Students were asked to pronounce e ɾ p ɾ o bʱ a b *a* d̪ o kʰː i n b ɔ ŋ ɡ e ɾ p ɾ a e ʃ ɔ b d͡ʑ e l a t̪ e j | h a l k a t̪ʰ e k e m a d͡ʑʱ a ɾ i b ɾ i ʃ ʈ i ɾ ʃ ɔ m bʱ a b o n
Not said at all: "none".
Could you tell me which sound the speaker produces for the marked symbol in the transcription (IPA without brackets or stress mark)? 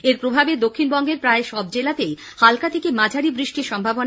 e